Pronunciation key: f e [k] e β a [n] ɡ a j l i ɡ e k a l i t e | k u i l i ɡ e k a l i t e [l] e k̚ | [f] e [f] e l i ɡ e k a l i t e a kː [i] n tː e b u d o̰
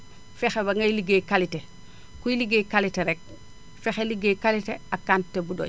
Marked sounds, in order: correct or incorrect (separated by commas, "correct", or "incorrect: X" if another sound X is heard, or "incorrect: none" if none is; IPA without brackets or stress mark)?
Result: incorrect: x, incorrect: ŋ, incorrect: ɾ, correct, incorrect: x, incorrect: a